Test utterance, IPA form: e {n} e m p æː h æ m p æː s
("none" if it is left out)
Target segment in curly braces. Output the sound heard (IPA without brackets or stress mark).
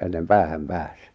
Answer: nː